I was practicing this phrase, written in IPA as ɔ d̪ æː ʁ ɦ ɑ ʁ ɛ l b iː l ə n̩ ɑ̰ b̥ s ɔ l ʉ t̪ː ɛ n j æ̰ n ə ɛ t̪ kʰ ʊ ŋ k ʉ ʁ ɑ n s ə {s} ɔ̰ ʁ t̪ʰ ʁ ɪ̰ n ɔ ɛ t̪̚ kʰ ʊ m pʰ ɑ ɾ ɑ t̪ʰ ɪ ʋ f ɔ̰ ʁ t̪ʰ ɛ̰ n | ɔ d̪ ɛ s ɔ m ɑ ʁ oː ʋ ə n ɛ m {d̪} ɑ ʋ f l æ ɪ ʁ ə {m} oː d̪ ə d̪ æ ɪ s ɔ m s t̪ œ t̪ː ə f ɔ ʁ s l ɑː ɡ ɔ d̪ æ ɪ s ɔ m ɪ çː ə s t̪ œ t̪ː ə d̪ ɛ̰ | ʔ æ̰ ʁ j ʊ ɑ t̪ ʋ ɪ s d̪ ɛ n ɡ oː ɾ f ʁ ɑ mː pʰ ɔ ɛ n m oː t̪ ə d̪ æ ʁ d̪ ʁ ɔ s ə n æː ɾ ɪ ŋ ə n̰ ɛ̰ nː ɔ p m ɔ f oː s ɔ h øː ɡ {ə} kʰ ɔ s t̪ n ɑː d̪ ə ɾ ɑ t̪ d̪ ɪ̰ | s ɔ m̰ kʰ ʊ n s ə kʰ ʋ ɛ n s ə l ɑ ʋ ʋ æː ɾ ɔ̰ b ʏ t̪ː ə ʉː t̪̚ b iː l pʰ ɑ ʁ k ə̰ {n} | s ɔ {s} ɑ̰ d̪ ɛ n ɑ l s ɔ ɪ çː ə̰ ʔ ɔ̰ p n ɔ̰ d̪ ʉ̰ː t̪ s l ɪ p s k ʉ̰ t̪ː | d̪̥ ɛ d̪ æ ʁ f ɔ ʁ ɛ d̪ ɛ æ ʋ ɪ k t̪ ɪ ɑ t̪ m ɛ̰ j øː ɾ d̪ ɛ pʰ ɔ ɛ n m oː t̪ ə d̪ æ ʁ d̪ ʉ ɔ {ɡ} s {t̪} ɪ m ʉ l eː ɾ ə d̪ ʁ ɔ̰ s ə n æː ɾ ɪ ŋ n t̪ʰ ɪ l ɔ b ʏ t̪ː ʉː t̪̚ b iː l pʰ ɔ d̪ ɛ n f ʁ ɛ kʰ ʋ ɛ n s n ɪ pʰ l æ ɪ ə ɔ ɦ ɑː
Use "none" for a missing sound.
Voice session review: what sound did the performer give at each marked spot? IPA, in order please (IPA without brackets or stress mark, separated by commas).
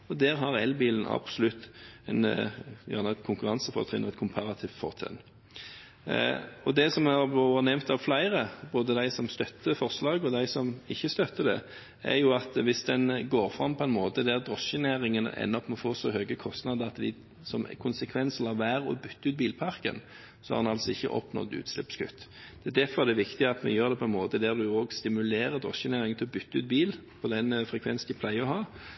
f, t̪, b, ə, n, h, ɡ, t̪